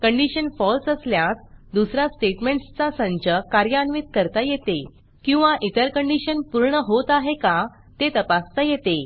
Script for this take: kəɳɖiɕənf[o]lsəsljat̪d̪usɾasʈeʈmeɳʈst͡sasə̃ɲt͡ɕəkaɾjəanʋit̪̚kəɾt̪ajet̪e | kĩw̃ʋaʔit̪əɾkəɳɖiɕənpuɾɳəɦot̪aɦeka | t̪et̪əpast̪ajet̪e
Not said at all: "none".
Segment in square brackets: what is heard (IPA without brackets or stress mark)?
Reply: ɔ